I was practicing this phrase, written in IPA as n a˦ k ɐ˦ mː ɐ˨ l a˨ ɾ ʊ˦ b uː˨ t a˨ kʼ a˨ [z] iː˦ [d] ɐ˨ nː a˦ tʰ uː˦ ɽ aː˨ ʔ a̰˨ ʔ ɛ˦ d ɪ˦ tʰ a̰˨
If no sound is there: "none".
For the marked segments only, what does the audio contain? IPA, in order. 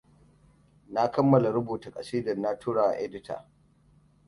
s, d

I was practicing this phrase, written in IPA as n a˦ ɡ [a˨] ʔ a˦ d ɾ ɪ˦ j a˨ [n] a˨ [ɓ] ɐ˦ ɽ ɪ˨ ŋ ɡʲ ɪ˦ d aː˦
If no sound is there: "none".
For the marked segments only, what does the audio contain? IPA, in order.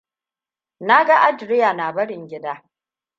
a˦, n, b

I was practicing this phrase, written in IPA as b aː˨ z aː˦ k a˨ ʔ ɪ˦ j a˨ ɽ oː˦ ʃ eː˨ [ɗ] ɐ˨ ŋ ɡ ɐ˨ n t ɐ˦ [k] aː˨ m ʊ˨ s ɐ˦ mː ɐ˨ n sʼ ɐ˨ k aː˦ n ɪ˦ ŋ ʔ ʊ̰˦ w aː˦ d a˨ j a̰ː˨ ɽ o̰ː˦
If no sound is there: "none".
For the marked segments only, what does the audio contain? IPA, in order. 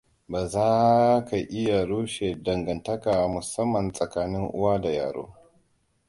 d, k

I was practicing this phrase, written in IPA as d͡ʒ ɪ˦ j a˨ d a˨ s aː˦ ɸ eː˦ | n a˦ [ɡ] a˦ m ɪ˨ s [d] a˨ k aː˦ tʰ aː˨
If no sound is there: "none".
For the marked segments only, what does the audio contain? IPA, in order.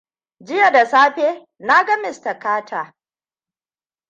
ɡ, t

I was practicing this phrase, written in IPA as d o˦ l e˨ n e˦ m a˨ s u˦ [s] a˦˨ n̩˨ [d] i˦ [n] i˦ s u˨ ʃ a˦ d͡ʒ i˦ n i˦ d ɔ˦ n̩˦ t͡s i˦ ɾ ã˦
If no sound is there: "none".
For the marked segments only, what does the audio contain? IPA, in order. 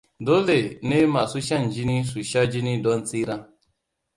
ʃ, d͡ʒ, n

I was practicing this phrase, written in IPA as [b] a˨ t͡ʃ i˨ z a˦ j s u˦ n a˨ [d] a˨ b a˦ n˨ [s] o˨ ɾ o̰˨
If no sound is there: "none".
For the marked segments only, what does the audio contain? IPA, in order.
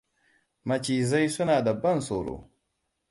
m, d, s

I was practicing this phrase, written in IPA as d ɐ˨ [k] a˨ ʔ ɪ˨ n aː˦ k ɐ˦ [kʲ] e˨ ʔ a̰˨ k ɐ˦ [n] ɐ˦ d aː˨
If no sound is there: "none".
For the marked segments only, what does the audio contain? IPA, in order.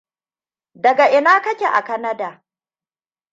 ɡ, kʲ, n

